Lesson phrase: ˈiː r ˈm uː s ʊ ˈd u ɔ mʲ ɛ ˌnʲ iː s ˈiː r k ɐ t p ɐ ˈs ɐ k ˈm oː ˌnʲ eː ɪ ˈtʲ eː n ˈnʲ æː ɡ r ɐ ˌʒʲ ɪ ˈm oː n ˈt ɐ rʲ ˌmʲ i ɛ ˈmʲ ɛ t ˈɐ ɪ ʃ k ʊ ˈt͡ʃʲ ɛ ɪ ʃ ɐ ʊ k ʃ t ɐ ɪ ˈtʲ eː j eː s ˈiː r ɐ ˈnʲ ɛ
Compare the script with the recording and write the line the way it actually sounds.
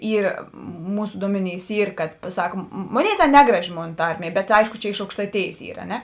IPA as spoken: ˈiː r ˈm uː s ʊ ˈd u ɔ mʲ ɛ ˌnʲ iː s ˈiː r k ɐ t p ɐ ˈs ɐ k ˈm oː ˌnʲ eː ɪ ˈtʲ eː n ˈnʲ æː ɡ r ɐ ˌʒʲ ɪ ˈm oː n ˈt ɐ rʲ ˌmʲ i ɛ ˈbʲ ɛ t ˈɐ ɪ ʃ k ʊ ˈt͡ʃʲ ɛ ɪ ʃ ɐ ʊ k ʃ t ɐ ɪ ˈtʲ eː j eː s ˈiː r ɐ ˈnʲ ɛ